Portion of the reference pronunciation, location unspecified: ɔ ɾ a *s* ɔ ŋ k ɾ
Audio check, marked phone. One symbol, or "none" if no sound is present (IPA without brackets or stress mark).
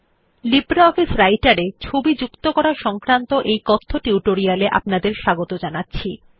ʃ